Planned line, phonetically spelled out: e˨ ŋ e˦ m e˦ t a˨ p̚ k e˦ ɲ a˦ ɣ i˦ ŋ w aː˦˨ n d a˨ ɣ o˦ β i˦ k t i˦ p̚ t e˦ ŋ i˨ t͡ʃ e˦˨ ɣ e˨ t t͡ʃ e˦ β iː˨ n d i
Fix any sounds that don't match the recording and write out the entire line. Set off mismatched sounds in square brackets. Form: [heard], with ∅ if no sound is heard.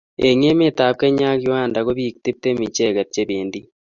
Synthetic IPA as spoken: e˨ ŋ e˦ m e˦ t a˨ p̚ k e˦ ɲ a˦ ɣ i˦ [∅] w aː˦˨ n d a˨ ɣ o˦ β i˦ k t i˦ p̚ t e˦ [m] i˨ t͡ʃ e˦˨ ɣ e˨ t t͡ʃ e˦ β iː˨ n d i